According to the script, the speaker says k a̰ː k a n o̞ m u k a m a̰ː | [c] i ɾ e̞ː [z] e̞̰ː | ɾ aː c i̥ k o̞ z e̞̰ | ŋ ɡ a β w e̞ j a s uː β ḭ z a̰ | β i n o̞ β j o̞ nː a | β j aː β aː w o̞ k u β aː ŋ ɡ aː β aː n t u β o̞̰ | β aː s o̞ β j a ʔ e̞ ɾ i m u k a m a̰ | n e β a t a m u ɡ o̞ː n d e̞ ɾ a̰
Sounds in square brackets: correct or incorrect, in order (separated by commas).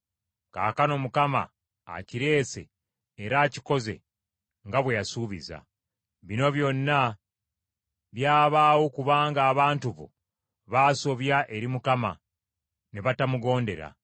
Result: correct, incorrect